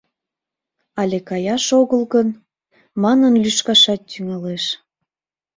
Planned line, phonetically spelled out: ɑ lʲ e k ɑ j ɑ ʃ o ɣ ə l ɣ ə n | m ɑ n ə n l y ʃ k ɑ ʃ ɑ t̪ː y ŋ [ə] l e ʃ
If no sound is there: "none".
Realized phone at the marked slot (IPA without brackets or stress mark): ɑ